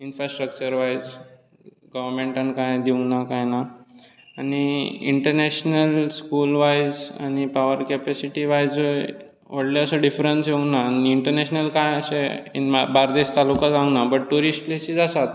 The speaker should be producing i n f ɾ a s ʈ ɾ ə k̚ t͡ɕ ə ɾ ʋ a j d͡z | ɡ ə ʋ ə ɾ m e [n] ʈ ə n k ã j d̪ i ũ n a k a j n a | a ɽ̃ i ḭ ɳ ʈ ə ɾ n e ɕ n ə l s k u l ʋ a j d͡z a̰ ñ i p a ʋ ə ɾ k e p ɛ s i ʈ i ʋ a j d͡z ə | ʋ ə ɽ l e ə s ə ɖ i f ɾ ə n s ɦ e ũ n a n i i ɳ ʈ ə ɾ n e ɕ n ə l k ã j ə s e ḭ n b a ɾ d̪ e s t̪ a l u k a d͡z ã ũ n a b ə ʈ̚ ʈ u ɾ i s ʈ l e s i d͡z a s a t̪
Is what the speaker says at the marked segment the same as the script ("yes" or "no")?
no